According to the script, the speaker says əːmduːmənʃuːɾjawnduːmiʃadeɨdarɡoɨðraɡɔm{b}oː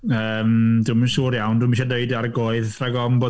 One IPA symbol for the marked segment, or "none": b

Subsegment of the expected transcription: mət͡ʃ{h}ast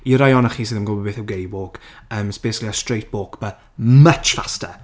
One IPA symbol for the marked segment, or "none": f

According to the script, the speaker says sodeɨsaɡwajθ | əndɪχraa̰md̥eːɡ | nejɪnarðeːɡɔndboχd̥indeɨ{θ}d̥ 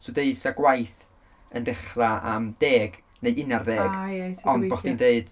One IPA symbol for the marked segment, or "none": none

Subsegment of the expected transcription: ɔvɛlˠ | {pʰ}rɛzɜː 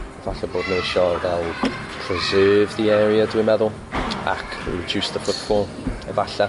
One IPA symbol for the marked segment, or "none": pʰ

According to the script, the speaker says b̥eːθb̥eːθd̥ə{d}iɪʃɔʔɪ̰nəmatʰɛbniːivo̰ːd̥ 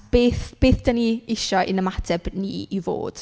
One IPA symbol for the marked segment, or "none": n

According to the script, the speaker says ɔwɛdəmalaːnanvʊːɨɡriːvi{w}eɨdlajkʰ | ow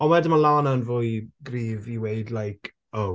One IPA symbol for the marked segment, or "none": w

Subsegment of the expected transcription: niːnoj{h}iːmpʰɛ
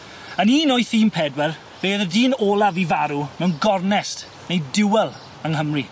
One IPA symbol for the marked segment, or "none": θ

